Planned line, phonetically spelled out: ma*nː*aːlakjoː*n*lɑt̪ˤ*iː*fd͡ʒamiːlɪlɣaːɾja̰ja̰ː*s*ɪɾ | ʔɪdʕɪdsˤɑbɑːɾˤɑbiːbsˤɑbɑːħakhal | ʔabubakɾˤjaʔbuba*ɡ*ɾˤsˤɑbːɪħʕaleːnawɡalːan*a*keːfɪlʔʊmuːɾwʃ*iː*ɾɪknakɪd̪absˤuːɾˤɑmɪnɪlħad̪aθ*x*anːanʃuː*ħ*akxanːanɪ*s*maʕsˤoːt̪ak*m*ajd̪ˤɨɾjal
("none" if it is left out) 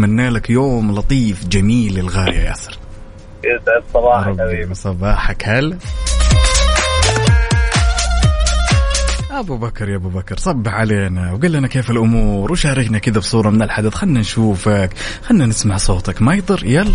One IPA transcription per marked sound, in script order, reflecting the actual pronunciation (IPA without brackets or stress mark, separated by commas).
nː, m, iː, s, k, a, aː, x, f, s, m